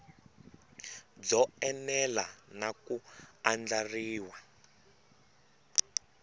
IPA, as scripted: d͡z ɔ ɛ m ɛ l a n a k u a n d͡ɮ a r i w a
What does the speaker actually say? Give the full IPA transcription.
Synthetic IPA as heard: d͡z ɔ ɛ n ɛ l a n a k u a n d͡ɮ a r iː w a